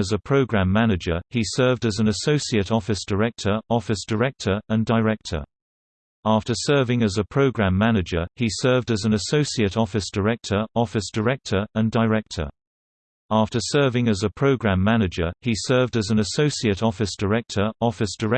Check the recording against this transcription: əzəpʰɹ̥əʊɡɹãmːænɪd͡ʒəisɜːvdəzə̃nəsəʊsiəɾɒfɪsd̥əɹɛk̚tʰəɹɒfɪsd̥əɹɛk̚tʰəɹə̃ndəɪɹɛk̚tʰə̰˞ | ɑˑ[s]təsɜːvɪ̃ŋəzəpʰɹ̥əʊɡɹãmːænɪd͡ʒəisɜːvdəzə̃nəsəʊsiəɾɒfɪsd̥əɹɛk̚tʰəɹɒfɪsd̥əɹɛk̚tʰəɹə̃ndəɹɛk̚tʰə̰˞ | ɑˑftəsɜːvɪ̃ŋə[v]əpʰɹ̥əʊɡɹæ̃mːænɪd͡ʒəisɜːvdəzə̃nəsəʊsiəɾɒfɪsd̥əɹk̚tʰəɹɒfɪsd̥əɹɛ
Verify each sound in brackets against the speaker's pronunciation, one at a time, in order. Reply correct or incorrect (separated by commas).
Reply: incorrect, incorrect